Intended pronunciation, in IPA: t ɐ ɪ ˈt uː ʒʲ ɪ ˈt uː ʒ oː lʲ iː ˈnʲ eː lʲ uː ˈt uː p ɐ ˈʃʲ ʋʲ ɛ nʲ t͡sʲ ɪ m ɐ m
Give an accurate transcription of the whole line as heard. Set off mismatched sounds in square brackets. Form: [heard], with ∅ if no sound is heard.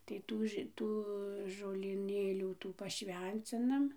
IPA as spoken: t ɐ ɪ ˈt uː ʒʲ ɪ ˈt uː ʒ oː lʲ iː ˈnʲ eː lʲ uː ˈt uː p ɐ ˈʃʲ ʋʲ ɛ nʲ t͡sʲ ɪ [n] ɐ m